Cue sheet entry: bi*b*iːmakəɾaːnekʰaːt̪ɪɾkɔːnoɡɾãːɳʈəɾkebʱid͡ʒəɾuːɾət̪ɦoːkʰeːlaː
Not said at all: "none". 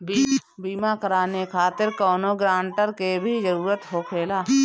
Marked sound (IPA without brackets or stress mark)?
b